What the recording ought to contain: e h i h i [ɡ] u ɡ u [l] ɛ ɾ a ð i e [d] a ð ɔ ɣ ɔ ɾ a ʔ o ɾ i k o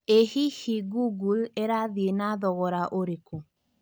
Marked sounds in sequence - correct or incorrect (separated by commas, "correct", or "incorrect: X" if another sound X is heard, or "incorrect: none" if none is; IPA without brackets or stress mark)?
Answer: correct, correct, incorrect: n